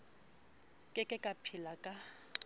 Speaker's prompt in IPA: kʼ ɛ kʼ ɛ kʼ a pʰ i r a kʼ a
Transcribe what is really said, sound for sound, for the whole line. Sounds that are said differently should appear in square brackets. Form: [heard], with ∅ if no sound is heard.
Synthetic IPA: kʼ ɛ kʼ ɛ kʼ a pʰ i [l] a kʼ a